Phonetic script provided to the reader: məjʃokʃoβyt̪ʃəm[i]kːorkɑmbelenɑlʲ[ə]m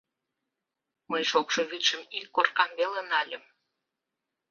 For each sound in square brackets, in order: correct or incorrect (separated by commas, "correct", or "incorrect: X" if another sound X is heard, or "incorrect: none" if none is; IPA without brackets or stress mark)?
correct, correct